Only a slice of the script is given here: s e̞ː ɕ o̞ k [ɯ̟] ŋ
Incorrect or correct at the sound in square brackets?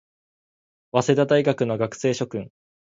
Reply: incorrect: ɯ̟̃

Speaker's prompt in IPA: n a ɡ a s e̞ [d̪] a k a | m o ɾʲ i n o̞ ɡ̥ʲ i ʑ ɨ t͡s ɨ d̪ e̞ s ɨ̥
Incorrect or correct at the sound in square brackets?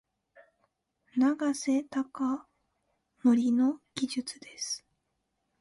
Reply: incorrect: t̪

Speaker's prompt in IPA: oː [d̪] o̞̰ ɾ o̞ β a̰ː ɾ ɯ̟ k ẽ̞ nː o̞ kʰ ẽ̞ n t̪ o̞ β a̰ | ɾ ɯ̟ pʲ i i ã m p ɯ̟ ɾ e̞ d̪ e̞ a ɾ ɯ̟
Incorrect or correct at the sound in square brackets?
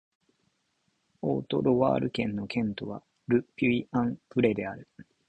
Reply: incorrect: t̪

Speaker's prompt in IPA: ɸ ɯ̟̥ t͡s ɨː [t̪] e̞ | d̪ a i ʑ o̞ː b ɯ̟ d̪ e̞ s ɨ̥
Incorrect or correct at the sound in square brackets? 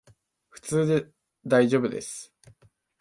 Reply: incorrect: d̪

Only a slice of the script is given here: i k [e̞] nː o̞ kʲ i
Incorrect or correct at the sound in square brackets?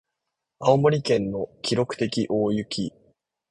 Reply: incorrect: ẽ̞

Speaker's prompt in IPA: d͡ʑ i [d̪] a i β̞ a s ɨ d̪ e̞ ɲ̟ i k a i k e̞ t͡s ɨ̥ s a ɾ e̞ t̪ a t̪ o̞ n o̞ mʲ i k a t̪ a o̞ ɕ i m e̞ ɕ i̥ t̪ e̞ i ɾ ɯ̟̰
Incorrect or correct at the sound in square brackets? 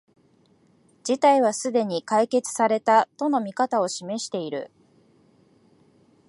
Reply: incorrect: t̪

